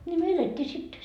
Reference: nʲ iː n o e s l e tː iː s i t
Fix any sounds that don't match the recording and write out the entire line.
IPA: nʲ i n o e l e tː iː s i t